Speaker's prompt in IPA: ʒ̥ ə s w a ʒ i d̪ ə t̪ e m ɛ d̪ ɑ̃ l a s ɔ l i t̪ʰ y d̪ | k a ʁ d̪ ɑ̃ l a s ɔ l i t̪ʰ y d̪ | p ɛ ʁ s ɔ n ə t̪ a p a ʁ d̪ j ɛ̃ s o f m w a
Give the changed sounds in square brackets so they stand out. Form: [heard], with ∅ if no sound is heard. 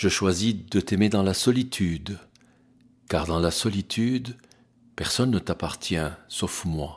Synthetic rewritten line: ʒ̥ ə [ʃ] w a [z] i d̪ ə t̪ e m [e] d̪ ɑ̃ l a s ɔ l i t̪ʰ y d̪ | k a ʁ d̪ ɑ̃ l a s ɔ l i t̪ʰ y d̪ | p ɛ ʁ s ɔ [nː] ə t̪ a p a ʁ [t̪] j ɛ̃ s o f m w a